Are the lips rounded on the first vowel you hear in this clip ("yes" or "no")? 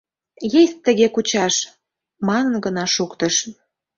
no